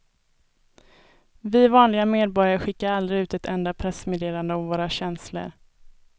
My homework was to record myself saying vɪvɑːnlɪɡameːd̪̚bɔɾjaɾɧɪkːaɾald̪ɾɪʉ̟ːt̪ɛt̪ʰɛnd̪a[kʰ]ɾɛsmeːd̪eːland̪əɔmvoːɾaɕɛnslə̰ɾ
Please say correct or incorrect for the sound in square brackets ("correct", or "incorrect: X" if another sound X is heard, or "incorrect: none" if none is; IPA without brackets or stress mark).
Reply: incorrect: pʰ